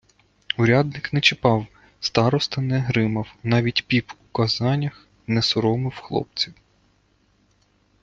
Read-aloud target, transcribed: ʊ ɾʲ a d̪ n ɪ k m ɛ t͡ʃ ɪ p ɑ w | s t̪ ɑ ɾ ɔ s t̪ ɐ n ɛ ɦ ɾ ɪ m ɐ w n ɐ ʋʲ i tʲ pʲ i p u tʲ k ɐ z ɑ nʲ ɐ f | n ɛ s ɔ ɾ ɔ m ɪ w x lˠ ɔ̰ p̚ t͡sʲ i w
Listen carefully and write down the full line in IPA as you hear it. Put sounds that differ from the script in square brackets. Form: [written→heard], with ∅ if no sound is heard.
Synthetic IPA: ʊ ɾʲ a d̪ n ɪ k [m→n] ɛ t͡ʃ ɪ p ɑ w | s t̪ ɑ ɾ ɔ s t̪ ɐ n ɛ ɦ ɾ ɪ m ɐ w n [ɐ→ɑ] ʋʲ i tʲ pʲ i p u [tʲ→∅] k ɐ z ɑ nʲ ɐ [f→x] | n ɛ s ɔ ɾ ɔ m ɪ w x lˠ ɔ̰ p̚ t͡sʲ i w